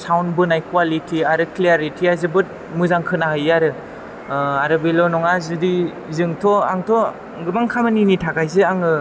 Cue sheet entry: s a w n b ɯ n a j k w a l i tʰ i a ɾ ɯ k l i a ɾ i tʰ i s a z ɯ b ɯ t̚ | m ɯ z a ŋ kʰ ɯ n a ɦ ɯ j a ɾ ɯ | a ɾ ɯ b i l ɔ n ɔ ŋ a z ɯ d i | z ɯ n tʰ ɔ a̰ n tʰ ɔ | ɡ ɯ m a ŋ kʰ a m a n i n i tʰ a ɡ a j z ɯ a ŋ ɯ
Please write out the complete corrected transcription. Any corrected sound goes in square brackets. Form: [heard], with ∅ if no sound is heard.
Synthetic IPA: s a w n b ɯ n a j k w a l i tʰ i a ɾ ɯ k l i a ɾ i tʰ i [∅] a z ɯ b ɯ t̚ | m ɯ z a ŋ kʰ ɯ n a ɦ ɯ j a ɾ ɯ | a ɾ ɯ b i l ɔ n ɔ ŋ a z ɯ d i | z ɯ [ŋ] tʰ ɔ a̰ [ŋ] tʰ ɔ | ɡ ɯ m a ŋ kʰ a m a n i n i tʰ a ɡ a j z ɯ a ŋ ɯ